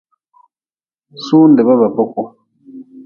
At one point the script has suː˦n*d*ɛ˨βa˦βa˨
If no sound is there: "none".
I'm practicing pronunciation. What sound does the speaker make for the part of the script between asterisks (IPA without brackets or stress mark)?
d